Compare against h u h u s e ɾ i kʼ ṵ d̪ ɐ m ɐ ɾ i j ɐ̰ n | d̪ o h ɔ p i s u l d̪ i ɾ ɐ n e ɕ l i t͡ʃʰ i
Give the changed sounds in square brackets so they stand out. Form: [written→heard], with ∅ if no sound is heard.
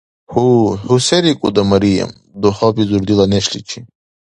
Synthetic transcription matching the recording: h u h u s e ɾ i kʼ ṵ d̪ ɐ m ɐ ɾ i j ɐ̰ [n→m] | d̪ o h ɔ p i [s→z] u [l→ɾ] d̪ i [ɾ→l] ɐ n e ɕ l i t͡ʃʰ i